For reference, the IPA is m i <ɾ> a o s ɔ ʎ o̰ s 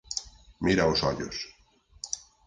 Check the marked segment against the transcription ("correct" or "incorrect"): correct